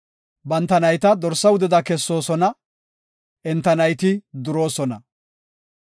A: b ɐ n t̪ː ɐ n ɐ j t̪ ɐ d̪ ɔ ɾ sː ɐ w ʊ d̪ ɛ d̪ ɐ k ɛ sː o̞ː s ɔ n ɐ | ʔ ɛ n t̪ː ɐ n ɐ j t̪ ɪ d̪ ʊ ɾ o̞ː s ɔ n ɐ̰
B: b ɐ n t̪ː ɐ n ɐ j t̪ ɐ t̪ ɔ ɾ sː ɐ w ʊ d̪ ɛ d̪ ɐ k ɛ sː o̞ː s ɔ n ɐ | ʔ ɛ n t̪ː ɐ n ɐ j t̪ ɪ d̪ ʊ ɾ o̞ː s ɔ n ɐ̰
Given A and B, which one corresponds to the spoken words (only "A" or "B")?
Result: A